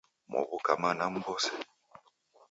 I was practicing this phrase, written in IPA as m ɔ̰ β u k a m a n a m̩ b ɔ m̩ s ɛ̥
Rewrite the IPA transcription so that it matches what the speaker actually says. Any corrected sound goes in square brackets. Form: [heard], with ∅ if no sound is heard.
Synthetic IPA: m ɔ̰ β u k a m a n a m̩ b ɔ [∅] s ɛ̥